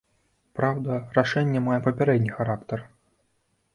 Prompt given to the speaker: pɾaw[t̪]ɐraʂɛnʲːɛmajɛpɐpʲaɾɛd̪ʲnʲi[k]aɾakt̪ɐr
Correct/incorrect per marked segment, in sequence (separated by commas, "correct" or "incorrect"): incorrect, incorrect